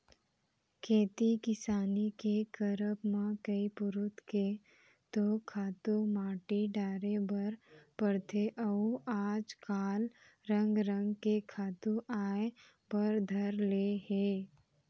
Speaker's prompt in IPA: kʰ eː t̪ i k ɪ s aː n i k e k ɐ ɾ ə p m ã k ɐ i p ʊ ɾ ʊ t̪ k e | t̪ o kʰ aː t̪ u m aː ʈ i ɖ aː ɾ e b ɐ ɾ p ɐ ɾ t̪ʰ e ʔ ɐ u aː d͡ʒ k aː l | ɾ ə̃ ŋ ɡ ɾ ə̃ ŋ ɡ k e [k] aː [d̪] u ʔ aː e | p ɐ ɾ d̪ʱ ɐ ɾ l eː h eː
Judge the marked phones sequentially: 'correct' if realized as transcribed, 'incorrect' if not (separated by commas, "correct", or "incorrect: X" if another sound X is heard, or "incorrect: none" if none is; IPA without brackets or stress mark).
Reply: incorrect: kʰ, incorrect: t̪